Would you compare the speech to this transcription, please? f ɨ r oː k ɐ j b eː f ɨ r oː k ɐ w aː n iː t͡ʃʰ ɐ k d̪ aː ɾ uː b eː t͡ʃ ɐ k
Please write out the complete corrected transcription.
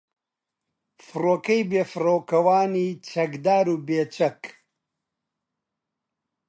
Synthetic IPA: f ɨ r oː k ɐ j b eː f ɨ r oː k ɐ w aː n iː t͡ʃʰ ɐ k d̪ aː ɾ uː b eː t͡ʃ ɐ k